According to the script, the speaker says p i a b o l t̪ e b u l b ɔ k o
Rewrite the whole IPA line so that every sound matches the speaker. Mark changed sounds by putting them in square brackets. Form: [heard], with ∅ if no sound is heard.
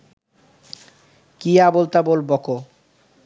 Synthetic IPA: [k] i a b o l t̪ [a] b [o] l b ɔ k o